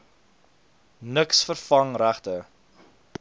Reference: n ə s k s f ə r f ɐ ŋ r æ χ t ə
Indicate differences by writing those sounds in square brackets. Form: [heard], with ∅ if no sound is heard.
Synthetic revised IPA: n ə [∅] k s f ə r f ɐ ŋ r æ χ t ə